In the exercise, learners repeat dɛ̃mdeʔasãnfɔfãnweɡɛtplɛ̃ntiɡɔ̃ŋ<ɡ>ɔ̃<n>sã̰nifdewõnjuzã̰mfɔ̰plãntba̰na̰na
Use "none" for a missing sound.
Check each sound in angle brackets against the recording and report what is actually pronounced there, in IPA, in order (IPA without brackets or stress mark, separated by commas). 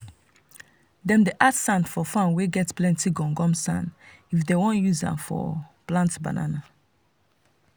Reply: ɡ, m